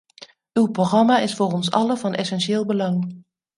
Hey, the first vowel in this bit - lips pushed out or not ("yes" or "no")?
yes